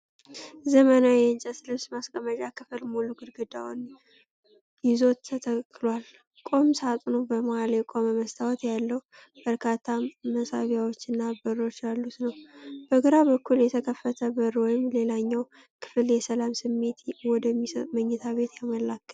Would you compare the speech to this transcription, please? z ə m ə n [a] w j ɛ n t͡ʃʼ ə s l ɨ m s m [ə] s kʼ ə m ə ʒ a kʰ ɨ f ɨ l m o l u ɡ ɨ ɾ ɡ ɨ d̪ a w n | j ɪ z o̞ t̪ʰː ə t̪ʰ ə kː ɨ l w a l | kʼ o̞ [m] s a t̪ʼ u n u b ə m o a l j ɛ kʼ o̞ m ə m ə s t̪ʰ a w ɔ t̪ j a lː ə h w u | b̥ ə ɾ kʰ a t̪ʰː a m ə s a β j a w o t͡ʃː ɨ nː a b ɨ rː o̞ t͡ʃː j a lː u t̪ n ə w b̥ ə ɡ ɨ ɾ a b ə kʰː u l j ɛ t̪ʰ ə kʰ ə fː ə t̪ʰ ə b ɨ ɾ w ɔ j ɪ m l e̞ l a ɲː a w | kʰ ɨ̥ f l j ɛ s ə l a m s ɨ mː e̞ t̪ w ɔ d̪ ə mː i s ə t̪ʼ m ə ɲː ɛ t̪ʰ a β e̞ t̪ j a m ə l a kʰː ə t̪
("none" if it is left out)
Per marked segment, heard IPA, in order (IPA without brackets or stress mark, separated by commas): a, a, m